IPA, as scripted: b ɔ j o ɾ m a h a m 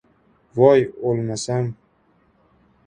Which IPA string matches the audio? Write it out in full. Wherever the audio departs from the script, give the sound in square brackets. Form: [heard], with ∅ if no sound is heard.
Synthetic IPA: [v] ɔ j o [l] m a [s] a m